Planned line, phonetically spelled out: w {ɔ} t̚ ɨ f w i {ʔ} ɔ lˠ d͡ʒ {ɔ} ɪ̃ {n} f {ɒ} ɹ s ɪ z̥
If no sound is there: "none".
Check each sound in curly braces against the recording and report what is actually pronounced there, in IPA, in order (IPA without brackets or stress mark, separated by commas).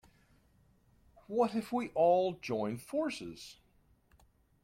ʌ, ʔ, ɔ̃, n, ɔ